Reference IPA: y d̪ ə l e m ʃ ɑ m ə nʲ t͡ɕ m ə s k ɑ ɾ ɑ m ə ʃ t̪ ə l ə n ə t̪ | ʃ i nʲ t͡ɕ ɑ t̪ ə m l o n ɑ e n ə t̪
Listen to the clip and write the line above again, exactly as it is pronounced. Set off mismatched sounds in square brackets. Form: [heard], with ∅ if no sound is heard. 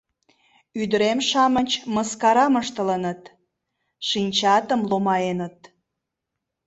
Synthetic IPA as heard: y d̪ ə [ɾ] e m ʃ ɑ m ə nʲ t͡ɕ m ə s k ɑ ɾ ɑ m ə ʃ t̪ ə l ə n ə t̪ | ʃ i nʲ t͡ɕ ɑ t̪ ə m l o [m] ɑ e n ə t̪